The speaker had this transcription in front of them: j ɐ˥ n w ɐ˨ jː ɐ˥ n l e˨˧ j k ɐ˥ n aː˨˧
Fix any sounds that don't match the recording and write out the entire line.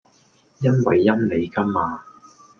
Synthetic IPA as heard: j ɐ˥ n w ɐ˨ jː ɐ˥ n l e˨˧ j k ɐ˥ m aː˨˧